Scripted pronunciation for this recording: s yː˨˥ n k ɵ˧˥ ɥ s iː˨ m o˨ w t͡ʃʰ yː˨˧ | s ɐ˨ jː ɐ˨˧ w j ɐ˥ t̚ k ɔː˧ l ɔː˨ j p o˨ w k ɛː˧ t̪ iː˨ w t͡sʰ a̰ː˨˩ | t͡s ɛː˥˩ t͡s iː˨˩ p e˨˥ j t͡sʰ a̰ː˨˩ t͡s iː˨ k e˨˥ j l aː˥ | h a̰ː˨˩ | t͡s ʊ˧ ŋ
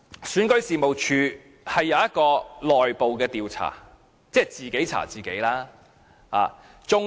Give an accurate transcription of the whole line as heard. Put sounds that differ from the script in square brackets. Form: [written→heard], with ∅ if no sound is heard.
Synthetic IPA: s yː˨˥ n k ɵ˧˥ ɥ s iː˨ m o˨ w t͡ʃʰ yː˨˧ | [s→h] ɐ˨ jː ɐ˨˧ w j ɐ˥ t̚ k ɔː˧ l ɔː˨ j p o˨ w k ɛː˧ t̪ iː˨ w t͡sʰ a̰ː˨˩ | t͡s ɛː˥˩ t͡s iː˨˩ [p→k] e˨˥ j t͡sʰ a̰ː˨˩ t͡s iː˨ k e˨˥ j l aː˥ | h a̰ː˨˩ | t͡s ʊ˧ ŋ